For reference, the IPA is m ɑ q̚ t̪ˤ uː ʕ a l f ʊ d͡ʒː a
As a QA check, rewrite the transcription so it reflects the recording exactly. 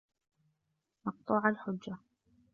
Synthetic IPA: m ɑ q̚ t̪ˤ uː ʕ a l ħ ʊ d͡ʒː a